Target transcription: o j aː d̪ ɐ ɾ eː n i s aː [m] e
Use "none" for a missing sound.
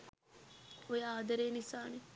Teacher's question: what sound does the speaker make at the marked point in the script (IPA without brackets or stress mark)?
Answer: n